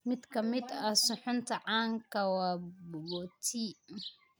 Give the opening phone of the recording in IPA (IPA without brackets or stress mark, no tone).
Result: m